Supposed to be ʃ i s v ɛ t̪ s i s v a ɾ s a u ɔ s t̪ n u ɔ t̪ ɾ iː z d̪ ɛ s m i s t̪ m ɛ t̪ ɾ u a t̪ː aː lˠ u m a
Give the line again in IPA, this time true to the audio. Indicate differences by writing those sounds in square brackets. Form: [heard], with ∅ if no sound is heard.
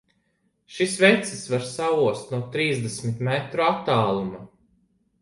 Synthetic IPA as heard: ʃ i s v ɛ t̪ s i s v a ɾ s a u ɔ s t̪ n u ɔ t̪ ɾ iː z d̪ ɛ s m i [∅] t̪ m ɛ t̪ ɾ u a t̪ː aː lˠ u m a